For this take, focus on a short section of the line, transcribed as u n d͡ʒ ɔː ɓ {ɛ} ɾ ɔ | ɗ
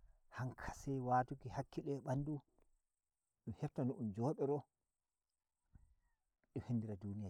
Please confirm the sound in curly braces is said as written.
yes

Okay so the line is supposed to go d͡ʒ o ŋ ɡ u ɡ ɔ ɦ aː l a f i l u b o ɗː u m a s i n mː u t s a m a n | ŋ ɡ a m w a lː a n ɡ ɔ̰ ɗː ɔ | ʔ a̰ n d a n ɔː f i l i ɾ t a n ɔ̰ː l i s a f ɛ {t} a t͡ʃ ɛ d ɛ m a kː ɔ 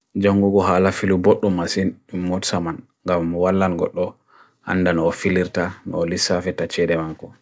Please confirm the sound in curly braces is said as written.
yes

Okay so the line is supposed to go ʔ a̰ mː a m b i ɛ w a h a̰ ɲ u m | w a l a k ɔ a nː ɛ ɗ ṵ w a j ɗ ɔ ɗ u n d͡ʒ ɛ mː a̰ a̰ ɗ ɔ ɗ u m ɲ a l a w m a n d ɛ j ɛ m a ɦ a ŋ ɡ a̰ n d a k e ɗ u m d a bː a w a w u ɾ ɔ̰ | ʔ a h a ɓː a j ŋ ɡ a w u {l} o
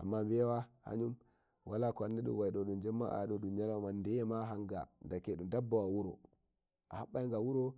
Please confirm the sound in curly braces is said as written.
no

